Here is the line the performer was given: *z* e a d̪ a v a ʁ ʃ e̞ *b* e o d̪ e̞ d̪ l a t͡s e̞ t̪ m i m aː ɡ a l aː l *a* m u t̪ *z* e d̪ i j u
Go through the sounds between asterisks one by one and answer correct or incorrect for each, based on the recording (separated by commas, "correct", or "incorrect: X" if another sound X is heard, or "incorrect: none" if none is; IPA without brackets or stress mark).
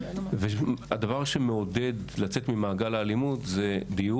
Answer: incorrect: v, incorrect: m, incorrect: i, correct